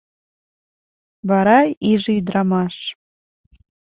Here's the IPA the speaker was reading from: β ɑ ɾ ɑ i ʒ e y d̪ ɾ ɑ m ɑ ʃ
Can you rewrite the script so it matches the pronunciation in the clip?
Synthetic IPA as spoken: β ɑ ɾ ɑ i ʒ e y d̪ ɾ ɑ m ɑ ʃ